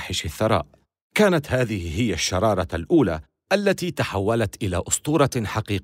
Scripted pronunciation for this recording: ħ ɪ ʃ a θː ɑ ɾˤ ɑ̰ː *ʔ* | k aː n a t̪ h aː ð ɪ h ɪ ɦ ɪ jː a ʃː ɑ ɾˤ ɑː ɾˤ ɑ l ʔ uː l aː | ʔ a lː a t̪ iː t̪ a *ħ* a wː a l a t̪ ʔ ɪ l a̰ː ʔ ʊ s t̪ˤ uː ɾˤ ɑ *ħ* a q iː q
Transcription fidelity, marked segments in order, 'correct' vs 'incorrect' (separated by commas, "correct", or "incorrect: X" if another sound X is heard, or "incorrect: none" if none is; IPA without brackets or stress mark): correct, correct, correct